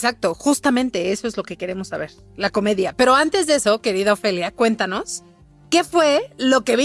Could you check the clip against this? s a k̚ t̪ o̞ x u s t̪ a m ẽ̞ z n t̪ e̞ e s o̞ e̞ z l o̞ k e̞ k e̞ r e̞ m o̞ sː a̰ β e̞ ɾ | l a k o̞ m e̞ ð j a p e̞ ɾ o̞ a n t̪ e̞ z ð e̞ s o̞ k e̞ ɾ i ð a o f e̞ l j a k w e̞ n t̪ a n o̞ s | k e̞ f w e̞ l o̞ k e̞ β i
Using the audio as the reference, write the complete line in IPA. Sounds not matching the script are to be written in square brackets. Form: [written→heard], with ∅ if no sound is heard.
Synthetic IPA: s a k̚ t̪ o̞ x u s t̪ a m ẽ̞ [z→∅] n t̪ e̞ e s o̞ e̞ z l o̞ k e̞ k e̞ [r→ɾ] e̞ m o̞ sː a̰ β e̞ ɾ | l a k o̞ m e̞ ð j a p e̞ ɾ o̞ a n t̪ e̞ z ð e̞ s o̞ k e̞ ɾ i ð a o f e̞ l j a k w e̞ n t̪ a n o̞ s | k e̞ f w e̞ l o̞ k e̞ β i